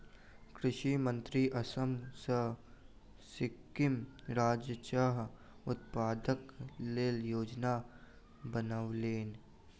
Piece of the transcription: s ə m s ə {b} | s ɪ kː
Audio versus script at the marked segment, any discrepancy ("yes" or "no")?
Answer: yes